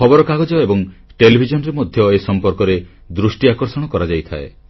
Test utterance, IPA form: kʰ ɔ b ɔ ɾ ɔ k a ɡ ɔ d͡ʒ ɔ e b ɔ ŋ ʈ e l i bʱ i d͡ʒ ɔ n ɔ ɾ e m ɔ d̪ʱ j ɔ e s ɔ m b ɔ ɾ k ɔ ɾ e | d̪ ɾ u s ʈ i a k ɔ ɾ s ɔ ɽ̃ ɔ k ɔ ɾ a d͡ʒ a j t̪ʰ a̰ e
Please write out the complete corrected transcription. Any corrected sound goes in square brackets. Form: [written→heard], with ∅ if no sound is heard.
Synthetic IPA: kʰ ɔ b ɔ ɾ ɔ k a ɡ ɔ d͡ʒ ɔ e b ɔ ŋ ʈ e l i bʱ i d͡ʒ ɔ n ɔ ɾ e m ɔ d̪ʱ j ɔ e s ɔ m [b→p] ɔ ɾ k ɔ ɾ e | d̪ ɾ u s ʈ i a k ɔ ɾ s ɔ ɽ̃ ɔ k ɔ ɾ a d͡ʒ a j t̪ʰ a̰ e